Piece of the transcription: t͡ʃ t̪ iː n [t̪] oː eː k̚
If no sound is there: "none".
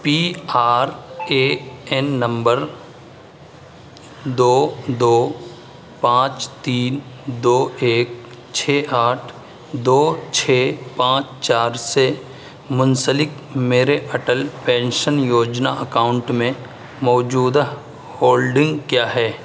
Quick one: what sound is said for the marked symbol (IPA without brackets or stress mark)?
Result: d̪